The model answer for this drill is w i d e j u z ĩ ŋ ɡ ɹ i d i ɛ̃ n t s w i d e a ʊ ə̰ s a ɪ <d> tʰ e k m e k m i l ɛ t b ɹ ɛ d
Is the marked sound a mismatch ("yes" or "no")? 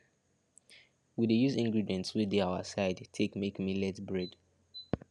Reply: no